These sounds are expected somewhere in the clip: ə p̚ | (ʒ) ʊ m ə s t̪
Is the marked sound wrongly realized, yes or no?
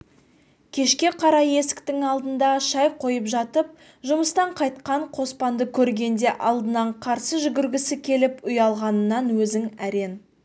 no